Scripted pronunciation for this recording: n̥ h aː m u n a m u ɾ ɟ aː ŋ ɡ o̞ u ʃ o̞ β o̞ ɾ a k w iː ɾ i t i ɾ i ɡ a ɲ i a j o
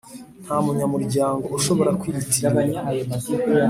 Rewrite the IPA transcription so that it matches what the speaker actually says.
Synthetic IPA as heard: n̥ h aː m u ɲ a m u ɾ ɟ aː ŋ ɡ o̞ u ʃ o̞ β o̞ ɾ a k w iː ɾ i t i ɾ a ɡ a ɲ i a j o